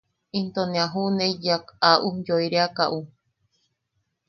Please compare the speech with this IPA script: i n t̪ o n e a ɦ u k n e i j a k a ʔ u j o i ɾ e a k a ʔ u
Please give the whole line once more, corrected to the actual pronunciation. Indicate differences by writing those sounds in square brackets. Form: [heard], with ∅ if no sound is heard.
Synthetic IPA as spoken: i n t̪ o n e a ɦ u [∅] n e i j a k a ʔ u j o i ɾ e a k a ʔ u